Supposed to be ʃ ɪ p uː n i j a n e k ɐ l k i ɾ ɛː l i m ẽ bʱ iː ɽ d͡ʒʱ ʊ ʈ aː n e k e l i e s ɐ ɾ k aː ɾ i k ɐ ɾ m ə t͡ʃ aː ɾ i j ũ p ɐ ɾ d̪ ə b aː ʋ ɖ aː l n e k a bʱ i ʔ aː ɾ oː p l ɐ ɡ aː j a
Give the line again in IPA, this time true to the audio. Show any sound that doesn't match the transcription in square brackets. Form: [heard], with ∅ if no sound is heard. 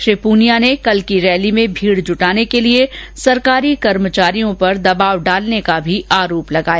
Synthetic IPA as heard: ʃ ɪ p uː n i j a n e k ɐ l k i ɾ ɛː l i m ẽ bʱ iː ɽ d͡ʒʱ ʊ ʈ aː n e k e l i e s ɐ ɾ k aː ɾ i k ɐ ɾ m ə t͡ʃ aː ɾ i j [õ] p ɐ ɾ d̪ [ɐ] b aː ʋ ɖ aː l n e k a bʱ i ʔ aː ɾ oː p l ɐ ɡ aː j a